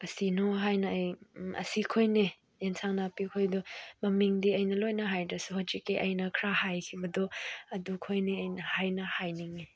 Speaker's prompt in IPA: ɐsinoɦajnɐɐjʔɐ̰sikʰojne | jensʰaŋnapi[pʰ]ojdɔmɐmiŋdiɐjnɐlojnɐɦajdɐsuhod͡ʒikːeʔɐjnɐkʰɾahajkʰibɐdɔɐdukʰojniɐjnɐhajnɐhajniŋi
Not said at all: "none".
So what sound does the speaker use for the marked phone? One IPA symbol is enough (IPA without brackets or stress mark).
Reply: kʰ